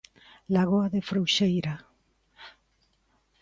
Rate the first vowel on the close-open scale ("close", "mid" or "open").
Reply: open